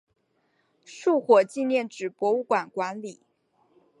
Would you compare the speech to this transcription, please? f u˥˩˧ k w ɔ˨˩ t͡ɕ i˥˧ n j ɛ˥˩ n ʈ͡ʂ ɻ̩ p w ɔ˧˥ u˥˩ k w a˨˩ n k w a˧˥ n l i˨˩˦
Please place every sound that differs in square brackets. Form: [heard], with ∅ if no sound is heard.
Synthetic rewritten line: [ʂ] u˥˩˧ [x] w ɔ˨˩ t͡ɕ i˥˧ n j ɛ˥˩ n ʈ͡ʂ ɻ̩ p w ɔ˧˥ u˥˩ k w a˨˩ n k w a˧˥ n l i˨˩˦